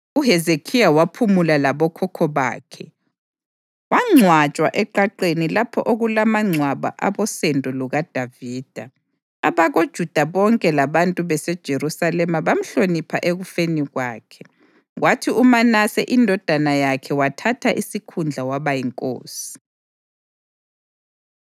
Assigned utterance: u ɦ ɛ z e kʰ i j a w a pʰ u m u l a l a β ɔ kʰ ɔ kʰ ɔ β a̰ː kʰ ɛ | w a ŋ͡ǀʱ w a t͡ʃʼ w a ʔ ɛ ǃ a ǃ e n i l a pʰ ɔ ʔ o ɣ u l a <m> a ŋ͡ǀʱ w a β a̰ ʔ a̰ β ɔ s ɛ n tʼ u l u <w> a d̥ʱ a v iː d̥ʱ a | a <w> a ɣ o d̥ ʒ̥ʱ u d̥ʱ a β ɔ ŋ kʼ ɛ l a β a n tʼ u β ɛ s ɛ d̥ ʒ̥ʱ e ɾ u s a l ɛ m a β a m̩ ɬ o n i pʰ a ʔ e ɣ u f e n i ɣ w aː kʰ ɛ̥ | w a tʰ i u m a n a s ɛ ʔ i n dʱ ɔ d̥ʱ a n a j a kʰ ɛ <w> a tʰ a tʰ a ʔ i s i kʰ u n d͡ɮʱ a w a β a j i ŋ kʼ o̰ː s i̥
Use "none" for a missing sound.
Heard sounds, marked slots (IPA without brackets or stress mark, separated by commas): m, ɣ, β, w